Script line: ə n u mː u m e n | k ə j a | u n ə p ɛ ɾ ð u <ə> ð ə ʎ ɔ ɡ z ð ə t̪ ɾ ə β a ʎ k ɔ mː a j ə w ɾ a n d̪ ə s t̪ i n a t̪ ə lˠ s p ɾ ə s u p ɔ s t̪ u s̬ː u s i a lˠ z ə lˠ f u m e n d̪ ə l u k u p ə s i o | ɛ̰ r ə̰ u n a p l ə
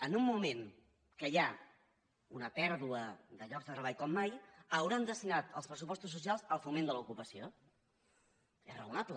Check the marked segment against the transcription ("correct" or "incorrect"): correct